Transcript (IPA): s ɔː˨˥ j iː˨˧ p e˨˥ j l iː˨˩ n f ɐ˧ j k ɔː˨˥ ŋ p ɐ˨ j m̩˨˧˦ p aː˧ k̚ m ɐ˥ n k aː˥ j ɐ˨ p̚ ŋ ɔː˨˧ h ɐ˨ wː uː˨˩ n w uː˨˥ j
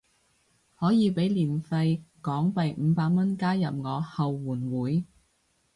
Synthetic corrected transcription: h ɔː˨˥ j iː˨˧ p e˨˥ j l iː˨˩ n f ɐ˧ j k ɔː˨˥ ŋ p ɐ˨ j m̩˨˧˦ p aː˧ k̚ m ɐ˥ n k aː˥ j ɐ˨ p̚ ŋ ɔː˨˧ h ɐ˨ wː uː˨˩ n w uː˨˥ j

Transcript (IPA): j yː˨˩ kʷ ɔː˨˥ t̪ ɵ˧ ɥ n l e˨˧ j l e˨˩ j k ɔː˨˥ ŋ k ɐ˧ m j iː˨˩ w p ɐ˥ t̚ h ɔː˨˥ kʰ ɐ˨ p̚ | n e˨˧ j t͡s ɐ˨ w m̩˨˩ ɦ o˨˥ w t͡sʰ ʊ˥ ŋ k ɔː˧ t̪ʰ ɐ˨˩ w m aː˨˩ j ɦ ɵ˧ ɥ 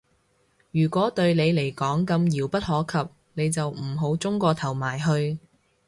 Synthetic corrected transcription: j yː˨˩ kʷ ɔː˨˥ t̪ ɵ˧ ɥ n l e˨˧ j l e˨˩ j k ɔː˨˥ ŋ k ɐ˧ m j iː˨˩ w p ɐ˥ t̚ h ɔː˨˥ kʰ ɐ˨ p̚ | n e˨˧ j t͡s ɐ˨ w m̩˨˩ ɦ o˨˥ w t͡s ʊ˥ ŋ k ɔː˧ t̪ʰ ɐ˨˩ w m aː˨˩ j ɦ ɵ˧ ɥ

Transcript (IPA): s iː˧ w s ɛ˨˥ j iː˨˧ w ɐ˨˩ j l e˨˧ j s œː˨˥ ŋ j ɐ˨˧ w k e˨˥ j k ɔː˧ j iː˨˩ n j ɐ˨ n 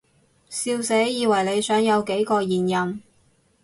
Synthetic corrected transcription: s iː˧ w s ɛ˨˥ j iː˨˧ w ɐ˨˩ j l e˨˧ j s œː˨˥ ŋ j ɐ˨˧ w k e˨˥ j k ɔː˧ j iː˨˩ n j ɐ˨ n

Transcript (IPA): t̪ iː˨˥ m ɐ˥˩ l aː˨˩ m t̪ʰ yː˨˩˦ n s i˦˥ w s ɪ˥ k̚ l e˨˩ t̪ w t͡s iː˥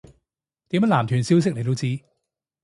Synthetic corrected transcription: t̪ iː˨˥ m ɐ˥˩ l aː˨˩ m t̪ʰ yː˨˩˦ n s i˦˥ w s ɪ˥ k̚ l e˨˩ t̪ w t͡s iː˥

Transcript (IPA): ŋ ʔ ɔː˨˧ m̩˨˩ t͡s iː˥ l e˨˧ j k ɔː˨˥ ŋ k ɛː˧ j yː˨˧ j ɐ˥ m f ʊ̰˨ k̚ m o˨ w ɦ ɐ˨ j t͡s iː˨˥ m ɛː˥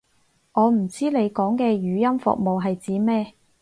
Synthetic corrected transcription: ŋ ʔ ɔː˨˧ m̩˨˩ t͡s iː˥ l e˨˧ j k ɔː˨˥ ŋ k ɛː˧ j yː˨˧ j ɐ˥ m f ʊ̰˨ k̚ m o˨ w ɦ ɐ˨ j t͡s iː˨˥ m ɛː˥

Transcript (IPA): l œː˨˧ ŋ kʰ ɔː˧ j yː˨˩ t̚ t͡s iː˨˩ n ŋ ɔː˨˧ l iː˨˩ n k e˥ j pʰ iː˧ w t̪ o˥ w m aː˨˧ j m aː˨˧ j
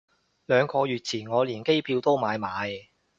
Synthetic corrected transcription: l œː˨˧ ŋ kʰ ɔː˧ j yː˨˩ t̚ t͡sʰ iː˨˩ n ŋ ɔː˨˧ l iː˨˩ n k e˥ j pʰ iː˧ w t̪ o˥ w m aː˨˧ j m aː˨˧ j

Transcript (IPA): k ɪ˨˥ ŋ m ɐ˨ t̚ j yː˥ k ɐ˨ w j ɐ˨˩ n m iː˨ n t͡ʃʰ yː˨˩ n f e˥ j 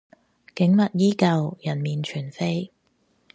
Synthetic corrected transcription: k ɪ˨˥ ŋ m ɐ˨ t̚ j iː˥ k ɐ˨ w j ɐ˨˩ n m iː˨ n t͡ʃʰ yː˨˩ n f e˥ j

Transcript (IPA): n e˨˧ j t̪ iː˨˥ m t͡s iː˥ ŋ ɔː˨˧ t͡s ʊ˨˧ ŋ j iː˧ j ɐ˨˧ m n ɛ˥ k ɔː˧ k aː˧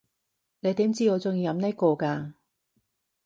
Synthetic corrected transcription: n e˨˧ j t̪ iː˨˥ m t͡s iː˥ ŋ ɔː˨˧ t͡s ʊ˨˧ ŋ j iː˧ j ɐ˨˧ m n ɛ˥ k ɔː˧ k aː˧

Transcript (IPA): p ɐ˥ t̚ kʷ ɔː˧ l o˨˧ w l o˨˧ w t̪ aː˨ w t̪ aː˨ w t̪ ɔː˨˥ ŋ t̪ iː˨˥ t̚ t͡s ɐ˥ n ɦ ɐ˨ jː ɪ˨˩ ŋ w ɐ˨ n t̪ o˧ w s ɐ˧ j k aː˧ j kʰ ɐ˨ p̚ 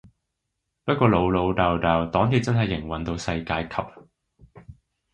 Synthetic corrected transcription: p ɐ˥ t̚ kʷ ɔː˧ l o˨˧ w l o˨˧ w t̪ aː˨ w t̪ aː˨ w t̪ ɔː˨˥ ŋ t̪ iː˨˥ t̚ t͡s ɐ˥ n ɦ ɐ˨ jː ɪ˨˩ ŋ w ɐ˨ n t̪ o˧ w s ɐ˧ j k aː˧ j kʰ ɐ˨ p̚

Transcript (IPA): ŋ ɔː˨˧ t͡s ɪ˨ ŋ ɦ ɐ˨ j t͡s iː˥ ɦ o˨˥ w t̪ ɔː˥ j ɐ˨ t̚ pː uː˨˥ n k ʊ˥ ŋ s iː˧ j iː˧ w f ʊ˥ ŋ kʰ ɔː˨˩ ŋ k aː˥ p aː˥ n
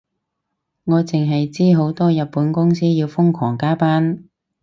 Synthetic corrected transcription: ŋ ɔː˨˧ t͡s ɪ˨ ŋ ɦ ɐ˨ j t͡s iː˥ ɦ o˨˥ w t̪ ɔː˥ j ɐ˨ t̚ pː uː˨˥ n k ʊ˥ ŋ s iː˥ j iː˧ w f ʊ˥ ŋ kʰ ɔː˨˩ ŋ k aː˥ p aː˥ n

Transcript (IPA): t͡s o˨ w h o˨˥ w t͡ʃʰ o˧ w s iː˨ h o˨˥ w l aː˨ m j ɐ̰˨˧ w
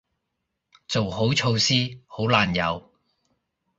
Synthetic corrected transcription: t͡s o˨ w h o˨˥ w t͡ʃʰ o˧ w s iː˥ h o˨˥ w l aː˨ n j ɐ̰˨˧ w

